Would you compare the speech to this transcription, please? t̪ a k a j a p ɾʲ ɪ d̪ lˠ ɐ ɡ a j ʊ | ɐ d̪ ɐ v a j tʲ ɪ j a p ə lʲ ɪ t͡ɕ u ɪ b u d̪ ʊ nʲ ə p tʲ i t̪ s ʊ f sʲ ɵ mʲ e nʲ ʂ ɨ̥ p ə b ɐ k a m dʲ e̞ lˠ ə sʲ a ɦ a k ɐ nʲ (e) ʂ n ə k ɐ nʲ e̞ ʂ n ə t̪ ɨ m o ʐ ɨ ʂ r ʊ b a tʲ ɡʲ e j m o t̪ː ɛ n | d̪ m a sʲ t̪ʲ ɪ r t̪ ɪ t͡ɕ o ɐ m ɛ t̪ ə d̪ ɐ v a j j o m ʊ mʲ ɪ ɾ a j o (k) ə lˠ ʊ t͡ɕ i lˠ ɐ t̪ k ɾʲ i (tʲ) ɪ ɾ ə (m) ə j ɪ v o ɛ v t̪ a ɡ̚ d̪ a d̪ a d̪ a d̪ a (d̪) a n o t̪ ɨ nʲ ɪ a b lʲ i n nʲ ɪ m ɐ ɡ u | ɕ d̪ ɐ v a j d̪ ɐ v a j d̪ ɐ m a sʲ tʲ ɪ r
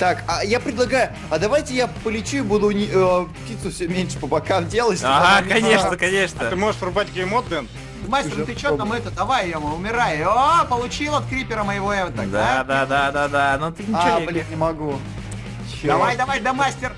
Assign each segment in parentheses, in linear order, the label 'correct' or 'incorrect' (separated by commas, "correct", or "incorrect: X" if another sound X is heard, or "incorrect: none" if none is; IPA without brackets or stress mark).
correct, incorrect: p, incorrect: pʲ, correct, correct